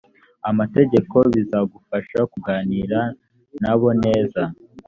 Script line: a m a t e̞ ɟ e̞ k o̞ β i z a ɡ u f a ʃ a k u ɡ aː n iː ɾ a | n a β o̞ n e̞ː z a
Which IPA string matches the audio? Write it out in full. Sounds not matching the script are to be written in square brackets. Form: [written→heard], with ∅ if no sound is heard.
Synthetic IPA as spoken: a m a t e̞ ɟ e̞ k o̞ β i z a ɡ u f a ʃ a k u ɡ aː n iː ɾ a | n a β o̞ n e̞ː z a